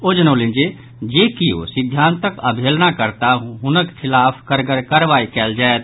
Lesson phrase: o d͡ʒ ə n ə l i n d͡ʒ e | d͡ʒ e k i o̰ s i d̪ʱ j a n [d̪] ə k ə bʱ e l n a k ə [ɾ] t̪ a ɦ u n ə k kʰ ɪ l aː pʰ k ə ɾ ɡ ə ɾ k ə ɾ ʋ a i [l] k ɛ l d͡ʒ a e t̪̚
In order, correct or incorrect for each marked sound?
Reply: incorrect, correct, incorrect

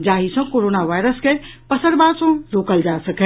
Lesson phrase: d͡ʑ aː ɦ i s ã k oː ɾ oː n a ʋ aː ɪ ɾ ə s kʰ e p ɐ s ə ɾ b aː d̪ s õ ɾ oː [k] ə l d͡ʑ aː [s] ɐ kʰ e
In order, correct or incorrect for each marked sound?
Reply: correct, correct

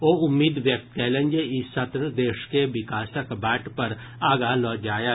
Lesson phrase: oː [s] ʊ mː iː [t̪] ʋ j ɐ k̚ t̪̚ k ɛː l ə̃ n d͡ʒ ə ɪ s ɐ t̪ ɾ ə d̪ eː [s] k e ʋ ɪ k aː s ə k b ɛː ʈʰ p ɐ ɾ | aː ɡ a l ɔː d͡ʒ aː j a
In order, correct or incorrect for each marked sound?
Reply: incorrect, incorrect, incorrect

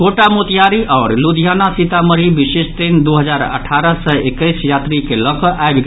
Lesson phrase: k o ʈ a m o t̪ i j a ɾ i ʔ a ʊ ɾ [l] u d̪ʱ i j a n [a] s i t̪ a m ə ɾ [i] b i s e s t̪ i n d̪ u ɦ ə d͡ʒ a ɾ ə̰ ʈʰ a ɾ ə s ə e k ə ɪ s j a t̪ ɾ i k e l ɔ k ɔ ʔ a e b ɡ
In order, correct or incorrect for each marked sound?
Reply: correct, correct, correct

